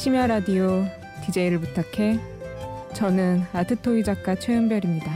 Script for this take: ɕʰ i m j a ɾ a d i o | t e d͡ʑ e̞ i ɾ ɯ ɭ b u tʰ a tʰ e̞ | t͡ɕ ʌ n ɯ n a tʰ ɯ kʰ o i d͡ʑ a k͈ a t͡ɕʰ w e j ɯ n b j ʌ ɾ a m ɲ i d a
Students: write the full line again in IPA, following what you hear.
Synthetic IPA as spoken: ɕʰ i m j a ɾ a d i o | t i d͡ʑ e̞ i ɾ ɯ ɭ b u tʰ a kʰ e̞ | t͡ɕ ʌ n ɯ n a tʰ ɯ tʰ o i d͡ʑ a k͈ a t͡ɕʰ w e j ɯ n b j ʌ ɾ i m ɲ i d a